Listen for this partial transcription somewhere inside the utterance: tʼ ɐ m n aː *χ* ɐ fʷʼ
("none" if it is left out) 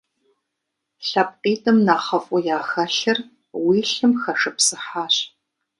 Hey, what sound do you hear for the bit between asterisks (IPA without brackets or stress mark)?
χ